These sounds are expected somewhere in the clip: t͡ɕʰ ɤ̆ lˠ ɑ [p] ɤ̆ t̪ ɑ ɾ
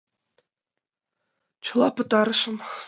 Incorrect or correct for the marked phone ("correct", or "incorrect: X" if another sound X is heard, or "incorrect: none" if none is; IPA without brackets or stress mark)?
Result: correct